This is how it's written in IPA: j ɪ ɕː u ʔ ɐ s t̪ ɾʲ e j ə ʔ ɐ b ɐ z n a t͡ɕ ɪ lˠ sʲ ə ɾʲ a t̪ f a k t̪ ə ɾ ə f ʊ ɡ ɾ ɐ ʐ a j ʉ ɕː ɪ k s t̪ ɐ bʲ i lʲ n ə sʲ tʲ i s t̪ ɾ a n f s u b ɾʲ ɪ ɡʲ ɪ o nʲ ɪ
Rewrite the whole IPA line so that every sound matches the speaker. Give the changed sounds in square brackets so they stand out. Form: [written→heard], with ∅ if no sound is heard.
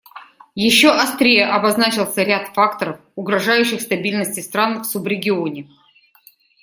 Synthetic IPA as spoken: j ɪ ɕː [u→o] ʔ ɐ s t̪ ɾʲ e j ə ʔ ɐ b ɐ z n a t͡ɕ ɪ lˠ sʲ ə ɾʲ a t̪ f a k t̪ ə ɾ ə f ʊ ɡ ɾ ɐ ʐ a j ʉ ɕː ɪ [k→x] s t̪ ɐ bʲ i lʲ n ə sʲ tʲ [i→ɪ] s t̪ ɾ a n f s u b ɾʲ ɪ ɡʲ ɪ o nʲ ɪ